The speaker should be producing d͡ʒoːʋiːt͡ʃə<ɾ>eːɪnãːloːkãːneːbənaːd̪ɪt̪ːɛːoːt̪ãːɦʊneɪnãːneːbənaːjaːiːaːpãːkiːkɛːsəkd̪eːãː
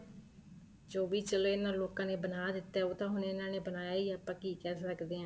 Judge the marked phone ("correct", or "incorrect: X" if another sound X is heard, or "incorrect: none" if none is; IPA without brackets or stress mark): incorrect: l